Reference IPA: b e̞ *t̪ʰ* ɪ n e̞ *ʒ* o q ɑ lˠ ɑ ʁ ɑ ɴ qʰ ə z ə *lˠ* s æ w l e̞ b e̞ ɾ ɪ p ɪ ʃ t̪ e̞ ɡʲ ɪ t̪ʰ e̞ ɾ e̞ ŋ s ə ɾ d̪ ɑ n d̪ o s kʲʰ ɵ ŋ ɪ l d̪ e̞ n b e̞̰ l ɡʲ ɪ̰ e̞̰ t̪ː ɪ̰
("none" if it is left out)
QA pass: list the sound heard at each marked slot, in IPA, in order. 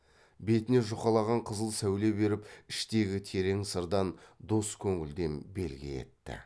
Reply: t̪, ʒ, lˠ

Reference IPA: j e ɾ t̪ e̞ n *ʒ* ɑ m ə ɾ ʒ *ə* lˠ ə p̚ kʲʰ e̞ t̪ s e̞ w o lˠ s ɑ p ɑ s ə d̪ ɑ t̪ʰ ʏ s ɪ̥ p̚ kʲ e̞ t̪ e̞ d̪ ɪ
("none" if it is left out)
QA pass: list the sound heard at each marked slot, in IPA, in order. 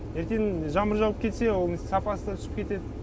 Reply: ʒ, ɑ

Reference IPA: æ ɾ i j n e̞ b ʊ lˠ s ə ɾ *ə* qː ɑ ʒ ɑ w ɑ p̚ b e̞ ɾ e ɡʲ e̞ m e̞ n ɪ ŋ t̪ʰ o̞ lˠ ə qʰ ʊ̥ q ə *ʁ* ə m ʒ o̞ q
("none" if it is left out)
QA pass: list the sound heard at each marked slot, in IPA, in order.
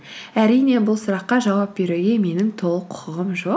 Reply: ɑ, ʁ

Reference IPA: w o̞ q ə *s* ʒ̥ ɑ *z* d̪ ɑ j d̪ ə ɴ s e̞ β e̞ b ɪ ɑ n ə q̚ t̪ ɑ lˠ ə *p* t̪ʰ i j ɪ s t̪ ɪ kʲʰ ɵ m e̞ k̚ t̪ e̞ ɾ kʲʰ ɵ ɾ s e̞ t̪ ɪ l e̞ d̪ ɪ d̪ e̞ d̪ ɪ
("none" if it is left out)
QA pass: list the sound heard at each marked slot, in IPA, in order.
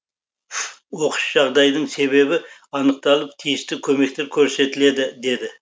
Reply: ʃ, ʁ, p

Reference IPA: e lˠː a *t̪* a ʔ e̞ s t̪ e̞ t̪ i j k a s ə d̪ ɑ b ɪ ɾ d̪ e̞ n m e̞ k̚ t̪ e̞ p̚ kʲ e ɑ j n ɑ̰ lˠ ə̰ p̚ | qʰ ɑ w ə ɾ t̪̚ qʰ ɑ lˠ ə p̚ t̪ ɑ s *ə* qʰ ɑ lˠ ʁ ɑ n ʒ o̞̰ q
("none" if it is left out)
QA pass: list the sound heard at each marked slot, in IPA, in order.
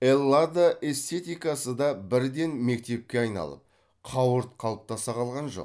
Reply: d̪, ɑ

